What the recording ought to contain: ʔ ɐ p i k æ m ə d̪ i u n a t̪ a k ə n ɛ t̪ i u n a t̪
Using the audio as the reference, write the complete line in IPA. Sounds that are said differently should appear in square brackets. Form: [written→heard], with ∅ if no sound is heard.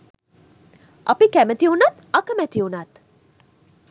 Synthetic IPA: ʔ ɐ p i k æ m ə [d̪→t̪] i u n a t̪ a k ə [n→m] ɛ t̪ i u n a t̪